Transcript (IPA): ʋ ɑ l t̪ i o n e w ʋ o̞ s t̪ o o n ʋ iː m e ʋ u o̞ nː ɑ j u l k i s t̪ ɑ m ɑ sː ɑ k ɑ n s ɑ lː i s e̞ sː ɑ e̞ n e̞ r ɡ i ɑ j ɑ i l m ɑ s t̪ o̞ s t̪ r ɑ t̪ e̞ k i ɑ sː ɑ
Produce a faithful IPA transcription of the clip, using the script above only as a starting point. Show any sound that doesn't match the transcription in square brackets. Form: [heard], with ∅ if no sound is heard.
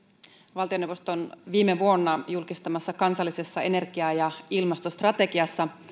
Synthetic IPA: ʋ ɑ l t̪ i o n e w ʋ o̞ s t̪ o o n ʋ iː m e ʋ u o̞ nː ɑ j u l k i s t̪ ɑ m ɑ sː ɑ k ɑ n s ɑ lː i s e̞ sː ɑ e̞ n e̞ r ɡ i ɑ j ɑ i l m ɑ s t̪ o̞ s t̪ r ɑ t̪ e̞ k i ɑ sː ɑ